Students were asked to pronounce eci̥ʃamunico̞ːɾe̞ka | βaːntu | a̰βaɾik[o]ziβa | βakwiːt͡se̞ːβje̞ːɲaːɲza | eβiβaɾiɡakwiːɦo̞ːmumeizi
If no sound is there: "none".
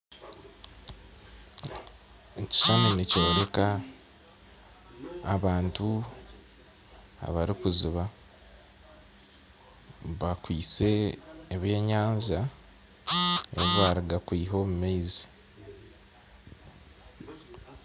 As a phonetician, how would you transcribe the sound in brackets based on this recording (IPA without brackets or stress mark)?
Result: u